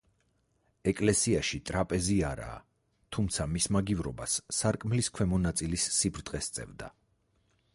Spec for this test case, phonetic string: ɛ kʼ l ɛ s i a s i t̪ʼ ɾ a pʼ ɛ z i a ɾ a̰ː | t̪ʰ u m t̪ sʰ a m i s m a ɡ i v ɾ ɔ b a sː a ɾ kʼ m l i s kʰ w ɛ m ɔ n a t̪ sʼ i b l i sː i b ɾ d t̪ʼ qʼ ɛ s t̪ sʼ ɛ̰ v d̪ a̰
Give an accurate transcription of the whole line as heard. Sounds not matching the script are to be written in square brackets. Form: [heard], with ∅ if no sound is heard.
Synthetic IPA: ɛ kʼ l ɛ s i a [ʃ] i t̪ʼ ɾ a pʼ ɛ z i a ɾ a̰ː | t̪ʰ u m t̪ sʰ a m i s m a ɡ i v ɾ ɔ b a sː a ɾ kʼ m l i s kʰ w ɛ m ɔ n a t̪ sʼ i [∅] l i sː i b ɾ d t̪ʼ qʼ ɛ s t̪ sʼ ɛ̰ v d̪ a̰